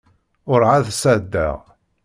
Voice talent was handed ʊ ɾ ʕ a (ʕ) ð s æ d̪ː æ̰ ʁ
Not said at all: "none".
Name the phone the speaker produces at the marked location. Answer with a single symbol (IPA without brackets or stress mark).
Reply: none